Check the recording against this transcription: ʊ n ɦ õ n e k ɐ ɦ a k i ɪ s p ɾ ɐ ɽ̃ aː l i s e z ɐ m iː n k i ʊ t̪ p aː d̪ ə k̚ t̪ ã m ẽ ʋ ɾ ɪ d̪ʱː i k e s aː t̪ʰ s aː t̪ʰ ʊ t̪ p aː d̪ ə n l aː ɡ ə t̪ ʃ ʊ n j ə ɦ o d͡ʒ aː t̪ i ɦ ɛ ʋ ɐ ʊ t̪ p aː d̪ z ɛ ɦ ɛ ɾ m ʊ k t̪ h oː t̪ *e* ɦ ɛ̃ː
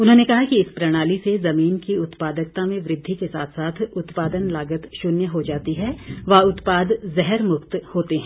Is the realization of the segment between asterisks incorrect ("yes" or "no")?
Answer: no